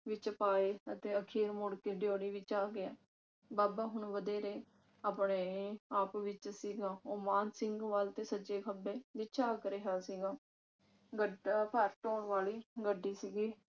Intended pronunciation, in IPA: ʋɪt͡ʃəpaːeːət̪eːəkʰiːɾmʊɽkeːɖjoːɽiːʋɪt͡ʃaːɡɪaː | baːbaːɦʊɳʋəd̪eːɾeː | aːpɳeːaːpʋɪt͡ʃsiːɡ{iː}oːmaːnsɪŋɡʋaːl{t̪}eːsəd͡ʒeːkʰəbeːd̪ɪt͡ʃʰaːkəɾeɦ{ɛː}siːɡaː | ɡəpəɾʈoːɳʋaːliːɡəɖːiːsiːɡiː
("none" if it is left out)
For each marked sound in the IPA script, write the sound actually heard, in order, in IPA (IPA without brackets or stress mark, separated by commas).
aː, t̪, aː